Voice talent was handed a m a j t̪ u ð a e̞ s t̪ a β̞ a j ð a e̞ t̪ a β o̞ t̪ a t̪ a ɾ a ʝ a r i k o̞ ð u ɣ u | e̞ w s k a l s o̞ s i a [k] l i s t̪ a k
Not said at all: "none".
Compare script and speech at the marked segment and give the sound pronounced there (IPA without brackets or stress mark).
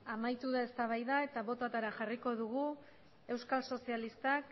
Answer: none